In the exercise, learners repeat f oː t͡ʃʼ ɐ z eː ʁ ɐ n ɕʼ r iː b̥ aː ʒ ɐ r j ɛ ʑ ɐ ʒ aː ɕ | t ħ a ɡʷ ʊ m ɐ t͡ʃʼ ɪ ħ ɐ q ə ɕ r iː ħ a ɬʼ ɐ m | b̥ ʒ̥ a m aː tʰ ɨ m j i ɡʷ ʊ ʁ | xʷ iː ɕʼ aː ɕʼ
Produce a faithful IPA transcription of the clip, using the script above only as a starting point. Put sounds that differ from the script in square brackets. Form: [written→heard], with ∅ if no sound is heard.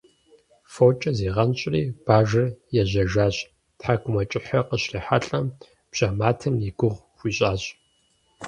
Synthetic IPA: f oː t͡ʃʼ ɐ z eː ʁ ɐ n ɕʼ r iː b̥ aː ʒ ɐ r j ɛ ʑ ɐ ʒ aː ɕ | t ħ a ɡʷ ʊ m ɐ t͡ʃʼ ɪ ħ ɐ q ə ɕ r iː ħ a ɬʼ ɐ m | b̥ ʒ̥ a m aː tʰ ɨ m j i ɡʷ ʊ ʁ | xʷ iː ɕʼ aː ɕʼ